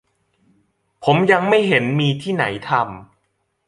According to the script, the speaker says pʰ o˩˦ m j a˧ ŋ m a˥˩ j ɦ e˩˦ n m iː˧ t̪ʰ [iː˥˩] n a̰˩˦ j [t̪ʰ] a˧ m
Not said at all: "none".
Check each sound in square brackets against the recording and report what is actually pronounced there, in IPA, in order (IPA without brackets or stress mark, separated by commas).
iː˥˩, t̪ʰ